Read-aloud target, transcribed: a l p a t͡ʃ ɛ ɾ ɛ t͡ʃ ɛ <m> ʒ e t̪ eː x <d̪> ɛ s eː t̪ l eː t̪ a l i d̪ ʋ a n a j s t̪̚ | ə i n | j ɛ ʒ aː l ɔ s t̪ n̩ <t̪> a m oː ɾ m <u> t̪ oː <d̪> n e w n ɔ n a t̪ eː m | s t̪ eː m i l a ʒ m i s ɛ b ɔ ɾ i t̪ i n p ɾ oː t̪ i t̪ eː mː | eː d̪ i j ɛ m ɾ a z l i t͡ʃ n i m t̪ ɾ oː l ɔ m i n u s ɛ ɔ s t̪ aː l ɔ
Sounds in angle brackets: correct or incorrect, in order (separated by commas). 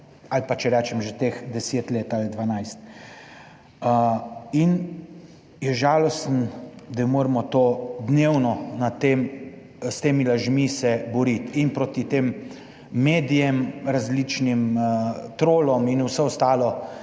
correct, correct, incorrect, incorrect, correct